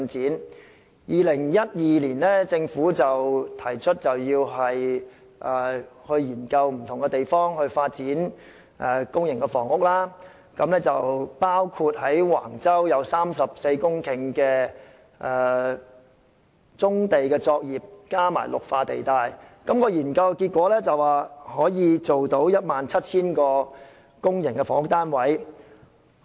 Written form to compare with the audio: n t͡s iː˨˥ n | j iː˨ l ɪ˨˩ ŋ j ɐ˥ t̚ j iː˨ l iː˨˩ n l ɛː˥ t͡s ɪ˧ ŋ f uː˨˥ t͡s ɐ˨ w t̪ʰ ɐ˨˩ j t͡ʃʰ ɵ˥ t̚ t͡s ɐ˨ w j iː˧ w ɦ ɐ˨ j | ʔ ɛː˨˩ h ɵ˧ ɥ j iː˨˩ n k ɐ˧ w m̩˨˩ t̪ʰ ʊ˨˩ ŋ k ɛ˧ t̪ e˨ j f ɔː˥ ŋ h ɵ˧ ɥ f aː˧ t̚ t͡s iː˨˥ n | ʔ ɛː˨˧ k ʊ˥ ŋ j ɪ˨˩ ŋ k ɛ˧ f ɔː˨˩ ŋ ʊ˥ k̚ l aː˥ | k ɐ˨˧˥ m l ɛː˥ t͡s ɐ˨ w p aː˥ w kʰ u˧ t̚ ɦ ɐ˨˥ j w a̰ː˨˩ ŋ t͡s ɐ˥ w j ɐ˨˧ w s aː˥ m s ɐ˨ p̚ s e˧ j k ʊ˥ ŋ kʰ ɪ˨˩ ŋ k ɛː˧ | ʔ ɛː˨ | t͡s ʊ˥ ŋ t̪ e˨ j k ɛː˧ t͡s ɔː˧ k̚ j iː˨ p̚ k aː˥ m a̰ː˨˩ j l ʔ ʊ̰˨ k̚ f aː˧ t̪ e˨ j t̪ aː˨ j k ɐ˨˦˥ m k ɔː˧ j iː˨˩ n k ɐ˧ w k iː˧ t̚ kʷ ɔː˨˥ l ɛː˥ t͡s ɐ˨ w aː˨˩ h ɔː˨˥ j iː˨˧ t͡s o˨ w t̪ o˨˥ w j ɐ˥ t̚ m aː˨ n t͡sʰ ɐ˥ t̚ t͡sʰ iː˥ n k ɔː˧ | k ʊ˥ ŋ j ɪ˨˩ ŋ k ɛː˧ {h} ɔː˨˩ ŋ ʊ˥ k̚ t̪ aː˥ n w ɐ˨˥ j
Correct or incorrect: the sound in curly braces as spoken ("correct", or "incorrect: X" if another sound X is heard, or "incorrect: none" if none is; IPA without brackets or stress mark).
incorrect: f